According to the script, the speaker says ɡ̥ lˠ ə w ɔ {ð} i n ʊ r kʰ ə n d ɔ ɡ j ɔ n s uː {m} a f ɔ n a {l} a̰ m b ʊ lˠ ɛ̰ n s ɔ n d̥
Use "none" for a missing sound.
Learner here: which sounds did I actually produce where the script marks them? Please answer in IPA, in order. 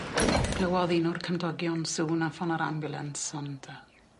ð, n, ɾ

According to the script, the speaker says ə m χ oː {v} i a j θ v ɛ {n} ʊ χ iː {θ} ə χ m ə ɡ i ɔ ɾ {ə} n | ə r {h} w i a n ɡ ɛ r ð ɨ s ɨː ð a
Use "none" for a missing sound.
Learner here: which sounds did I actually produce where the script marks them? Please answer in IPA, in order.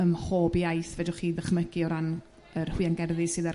b, d, ð, a, h

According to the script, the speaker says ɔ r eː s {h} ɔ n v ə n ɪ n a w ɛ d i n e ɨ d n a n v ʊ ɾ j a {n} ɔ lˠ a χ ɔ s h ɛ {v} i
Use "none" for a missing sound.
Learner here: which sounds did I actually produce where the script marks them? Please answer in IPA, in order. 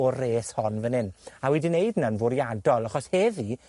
h, d, v

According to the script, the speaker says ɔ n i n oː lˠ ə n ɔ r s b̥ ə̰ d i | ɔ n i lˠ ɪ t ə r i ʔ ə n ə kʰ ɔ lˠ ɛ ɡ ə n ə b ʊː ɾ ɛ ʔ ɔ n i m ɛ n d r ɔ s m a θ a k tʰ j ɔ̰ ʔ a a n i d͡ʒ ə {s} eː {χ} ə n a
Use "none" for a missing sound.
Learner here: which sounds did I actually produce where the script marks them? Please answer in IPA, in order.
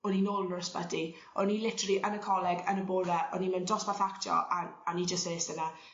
s, s

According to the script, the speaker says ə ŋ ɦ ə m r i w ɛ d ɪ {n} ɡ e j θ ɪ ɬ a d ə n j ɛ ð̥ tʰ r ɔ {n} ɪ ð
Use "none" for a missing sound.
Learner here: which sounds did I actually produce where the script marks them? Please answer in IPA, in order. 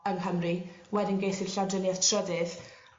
n, d

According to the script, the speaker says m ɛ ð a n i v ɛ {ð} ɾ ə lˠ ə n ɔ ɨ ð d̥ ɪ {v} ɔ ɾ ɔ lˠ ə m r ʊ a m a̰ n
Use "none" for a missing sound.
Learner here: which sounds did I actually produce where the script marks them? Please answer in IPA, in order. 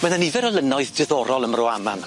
none, ð

